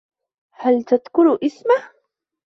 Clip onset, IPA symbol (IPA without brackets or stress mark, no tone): h